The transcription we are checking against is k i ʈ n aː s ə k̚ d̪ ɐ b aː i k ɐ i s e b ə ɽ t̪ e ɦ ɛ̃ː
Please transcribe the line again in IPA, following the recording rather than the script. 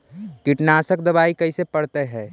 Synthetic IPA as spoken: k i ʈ n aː s ə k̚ d̪ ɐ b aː i k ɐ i s e p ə ɽ t̪ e ɦ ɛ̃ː